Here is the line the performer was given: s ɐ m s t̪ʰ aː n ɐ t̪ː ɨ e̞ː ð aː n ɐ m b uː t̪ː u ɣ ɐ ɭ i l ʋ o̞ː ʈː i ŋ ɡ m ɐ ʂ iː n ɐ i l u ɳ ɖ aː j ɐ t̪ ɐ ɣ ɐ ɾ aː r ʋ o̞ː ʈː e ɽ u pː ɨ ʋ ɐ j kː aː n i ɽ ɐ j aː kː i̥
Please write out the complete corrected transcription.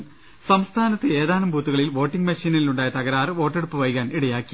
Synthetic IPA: s ɐ m s t̪ʰ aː n ɐ t̪ː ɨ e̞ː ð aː n ɐ m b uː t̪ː u ɣ ɐ ɭ i l ʋ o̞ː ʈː i ŋ ɡ m ɐ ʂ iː n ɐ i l u ɳ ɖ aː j ɐ t̪ ɐ ɣ ɐ ɾ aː r ʋ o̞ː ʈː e ɽ u pː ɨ ʋ ɐ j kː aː n i ɽ ɐ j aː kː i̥